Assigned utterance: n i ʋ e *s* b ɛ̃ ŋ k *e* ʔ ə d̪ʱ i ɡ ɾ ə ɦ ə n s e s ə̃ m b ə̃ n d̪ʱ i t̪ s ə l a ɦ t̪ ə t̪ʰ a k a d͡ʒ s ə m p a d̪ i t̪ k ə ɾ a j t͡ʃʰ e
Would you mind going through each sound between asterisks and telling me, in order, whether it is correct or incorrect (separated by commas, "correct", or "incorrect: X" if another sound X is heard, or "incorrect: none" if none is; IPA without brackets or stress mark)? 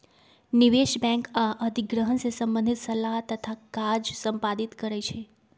incorrect: ʃ, incorrect: a